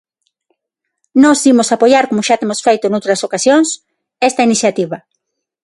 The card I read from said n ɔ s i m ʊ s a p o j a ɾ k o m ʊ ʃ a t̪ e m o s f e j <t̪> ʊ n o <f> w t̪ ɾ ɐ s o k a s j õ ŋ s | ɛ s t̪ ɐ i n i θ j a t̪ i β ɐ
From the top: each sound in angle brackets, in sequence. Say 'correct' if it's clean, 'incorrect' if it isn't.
correct, incorrect: none

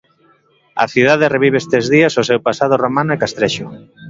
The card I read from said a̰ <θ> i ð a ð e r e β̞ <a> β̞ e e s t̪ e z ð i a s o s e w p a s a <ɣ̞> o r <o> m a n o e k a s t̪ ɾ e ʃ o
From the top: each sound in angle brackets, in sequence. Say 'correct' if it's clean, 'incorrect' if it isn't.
correct, incorrect: i, incorrect: ð̞, correct

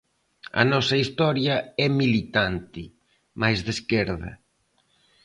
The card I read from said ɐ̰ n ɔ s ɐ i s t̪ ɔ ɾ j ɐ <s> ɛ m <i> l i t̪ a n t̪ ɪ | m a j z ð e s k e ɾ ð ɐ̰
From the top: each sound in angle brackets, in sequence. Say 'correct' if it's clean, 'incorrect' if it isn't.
incorrect: none, correct

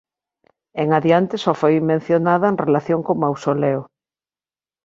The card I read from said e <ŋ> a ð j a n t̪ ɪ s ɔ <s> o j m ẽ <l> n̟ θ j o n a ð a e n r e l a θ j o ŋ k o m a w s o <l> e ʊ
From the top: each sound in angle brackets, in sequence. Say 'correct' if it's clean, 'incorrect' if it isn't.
correct, incorrect: f, incorrect: none, correct

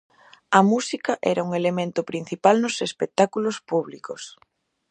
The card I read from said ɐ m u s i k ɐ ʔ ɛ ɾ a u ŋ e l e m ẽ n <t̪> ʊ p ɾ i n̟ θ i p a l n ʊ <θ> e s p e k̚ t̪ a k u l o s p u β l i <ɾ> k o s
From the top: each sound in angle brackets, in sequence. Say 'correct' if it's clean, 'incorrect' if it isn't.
correct, incorrect: s, incorrect: none

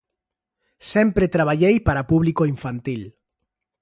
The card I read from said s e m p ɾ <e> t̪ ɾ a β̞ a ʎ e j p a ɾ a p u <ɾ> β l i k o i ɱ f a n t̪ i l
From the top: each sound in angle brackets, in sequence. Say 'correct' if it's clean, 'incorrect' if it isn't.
correct, incorrect: none

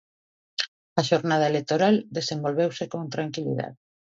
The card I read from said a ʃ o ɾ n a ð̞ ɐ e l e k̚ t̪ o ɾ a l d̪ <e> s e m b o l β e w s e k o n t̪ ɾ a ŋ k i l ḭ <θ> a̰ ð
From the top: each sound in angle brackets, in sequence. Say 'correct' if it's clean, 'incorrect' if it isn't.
correct, incorrect: ð

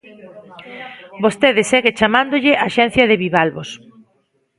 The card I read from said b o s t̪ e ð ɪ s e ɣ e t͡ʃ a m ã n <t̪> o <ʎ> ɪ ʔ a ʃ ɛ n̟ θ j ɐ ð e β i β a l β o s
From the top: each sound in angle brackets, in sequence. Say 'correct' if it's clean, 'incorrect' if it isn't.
incorrect: d̪, correct

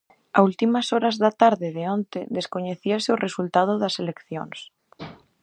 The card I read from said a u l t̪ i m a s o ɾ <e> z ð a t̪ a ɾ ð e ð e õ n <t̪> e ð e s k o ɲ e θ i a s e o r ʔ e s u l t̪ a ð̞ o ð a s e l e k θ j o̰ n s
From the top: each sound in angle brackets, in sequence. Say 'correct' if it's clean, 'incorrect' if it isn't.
incorrect: a, correct

